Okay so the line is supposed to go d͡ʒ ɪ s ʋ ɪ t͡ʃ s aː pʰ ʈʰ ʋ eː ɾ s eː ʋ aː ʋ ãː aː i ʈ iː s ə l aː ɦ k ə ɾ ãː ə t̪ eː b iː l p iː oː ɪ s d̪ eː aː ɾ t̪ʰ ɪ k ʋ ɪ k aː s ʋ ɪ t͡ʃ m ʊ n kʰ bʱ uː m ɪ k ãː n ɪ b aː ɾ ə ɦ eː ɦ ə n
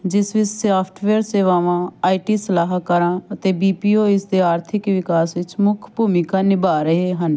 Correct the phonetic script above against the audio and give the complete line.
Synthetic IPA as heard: d͡ʒ ɪ s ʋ ɪ t͡ʃ s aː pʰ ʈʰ ʋ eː ɾ s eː ʋ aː ʋ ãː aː i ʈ iː s ə l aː ɦ k ə ɾ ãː ə t̪ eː b iː p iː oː ɪ s d̪ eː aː ɾ t̪ʰ ɪ k ʋ ɪ k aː s ʋ ɪ t͡ʃ m ʊ kʰ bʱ uː m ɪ k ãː n ɪ b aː ɾ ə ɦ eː ɦ ə n